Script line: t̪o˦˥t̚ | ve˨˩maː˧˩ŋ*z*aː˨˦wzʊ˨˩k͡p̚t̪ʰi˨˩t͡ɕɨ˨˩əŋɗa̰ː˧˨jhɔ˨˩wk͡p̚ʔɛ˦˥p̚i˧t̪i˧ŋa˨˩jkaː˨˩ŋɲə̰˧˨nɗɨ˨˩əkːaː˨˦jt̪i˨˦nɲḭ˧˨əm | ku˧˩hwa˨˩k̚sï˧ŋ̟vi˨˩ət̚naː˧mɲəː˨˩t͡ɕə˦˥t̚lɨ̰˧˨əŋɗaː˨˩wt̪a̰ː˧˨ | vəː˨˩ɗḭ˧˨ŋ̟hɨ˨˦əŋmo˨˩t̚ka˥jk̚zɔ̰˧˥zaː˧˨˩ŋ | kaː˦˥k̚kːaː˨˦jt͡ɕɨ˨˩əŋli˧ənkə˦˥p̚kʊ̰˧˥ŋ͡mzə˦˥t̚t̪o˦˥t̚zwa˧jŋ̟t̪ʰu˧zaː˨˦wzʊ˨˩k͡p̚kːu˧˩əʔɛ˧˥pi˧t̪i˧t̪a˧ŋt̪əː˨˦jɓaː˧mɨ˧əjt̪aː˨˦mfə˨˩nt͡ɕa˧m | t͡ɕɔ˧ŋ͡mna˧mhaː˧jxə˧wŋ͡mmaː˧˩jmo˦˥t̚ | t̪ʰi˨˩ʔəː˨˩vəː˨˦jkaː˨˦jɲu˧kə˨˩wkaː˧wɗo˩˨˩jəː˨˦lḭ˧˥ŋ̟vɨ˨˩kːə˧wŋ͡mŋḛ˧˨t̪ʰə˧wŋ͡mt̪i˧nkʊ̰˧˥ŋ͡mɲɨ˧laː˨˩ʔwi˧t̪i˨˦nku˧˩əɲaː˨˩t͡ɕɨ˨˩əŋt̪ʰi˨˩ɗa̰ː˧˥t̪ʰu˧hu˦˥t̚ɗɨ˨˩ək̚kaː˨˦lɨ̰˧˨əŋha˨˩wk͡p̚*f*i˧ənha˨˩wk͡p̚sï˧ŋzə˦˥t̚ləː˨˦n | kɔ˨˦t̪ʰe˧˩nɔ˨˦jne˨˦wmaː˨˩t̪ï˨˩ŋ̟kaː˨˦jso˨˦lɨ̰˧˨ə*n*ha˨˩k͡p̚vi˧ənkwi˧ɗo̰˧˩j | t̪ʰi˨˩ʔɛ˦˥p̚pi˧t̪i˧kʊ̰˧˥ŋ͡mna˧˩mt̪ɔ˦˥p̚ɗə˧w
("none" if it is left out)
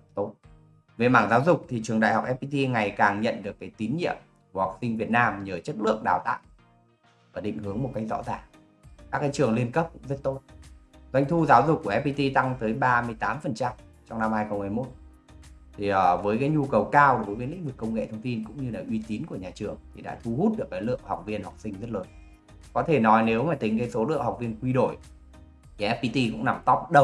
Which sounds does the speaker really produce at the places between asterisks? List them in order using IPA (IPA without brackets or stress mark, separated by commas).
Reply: z, v, ŋ